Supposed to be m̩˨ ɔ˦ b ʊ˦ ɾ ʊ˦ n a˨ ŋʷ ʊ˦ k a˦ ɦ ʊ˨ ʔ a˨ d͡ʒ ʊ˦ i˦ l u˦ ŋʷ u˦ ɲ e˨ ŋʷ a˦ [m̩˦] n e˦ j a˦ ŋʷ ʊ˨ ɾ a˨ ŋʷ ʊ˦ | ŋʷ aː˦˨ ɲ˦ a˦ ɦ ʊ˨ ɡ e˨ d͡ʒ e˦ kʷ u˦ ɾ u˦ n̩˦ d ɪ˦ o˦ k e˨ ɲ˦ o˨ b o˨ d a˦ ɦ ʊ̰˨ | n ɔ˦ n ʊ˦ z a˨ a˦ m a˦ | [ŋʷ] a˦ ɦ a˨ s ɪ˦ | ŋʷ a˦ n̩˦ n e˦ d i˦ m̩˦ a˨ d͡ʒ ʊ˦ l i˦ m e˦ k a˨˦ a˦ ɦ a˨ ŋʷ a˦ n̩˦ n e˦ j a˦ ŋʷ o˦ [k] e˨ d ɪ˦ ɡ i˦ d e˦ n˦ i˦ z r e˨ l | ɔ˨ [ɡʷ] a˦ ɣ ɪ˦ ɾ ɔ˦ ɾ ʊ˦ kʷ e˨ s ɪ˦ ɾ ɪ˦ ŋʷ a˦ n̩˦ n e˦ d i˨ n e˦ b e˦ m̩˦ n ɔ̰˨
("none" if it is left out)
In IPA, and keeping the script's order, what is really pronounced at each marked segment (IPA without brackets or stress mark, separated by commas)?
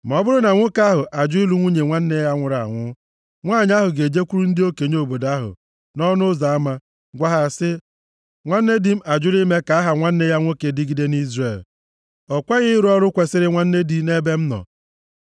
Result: n̩˦, ɡʷ, k, kʷ